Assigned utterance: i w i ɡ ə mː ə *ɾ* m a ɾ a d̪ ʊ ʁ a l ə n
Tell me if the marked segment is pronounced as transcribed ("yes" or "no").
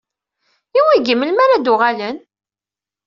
no